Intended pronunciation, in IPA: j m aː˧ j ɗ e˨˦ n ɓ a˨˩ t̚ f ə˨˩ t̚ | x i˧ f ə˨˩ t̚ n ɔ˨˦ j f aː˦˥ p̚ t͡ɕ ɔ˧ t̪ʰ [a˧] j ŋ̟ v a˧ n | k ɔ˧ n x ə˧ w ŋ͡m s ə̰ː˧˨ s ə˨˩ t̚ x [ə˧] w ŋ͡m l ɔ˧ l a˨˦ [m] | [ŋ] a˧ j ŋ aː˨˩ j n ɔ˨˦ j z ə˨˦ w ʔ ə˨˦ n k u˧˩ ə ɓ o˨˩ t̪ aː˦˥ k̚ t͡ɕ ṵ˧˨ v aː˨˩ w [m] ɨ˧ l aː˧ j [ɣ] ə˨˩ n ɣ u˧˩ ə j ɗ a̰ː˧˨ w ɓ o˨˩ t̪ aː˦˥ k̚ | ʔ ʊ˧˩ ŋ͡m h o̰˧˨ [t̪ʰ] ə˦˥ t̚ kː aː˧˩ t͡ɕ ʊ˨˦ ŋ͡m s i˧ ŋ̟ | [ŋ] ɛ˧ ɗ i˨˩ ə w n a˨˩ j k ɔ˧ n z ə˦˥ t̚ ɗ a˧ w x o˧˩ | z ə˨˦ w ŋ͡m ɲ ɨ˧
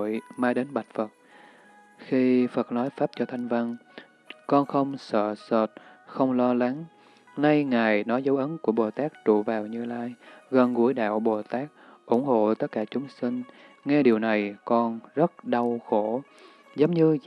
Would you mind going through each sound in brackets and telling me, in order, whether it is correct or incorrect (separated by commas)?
correct, correct, incorrect, incorrect, incorrect, correct, incorrect, correct